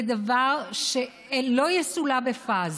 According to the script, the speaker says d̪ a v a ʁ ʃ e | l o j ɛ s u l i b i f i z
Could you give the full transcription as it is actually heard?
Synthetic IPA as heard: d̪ a v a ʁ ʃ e | l o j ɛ s u l a b e f a z